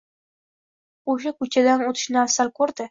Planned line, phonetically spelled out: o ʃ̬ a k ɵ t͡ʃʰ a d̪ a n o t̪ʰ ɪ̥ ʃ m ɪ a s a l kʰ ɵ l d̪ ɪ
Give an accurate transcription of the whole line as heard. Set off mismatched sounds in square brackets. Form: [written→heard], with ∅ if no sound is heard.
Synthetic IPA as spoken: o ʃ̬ a k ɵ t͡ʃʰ a d̪ a n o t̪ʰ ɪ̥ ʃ [m→n] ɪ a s a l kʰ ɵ [l→ɾ] d̪ ɪ